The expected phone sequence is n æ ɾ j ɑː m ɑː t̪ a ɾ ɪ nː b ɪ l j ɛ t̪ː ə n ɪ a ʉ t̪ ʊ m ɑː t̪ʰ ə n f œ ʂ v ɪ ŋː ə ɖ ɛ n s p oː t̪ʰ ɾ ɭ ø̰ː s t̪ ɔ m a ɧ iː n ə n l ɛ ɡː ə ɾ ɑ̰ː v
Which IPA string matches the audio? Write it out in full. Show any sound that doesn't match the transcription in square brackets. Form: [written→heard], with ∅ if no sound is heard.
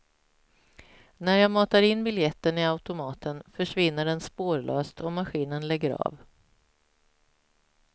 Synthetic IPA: n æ ɾ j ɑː m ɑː t̪ a ɾ ɪ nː b ɪ l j ɛ t̪ː ə n ɪ a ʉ t̪ ʊ m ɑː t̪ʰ ə n f œ ʂ v ɪ [ŋː→nː] ə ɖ ɛ n s p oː [t̪ʰ→∅] ɾ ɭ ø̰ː s t̪ ɔ m a ɧ iː n ə n l ɛ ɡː ə ɾ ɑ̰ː v